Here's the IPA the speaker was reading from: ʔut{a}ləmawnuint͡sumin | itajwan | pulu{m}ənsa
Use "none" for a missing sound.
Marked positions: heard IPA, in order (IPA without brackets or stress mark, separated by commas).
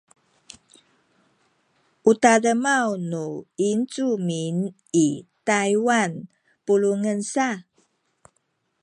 a, ŋ